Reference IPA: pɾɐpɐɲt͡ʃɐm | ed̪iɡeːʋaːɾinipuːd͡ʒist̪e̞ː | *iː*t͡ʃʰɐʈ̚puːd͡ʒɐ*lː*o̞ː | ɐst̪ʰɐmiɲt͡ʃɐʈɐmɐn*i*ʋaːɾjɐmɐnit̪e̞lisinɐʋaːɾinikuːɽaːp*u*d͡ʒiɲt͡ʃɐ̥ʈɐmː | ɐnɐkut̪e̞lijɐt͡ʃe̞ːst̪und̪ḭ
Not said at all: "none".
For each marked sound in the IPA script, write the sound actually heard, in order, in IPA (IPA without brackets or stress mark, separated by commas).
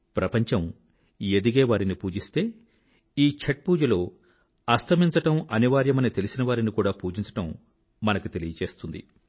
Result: iː, l, i, uː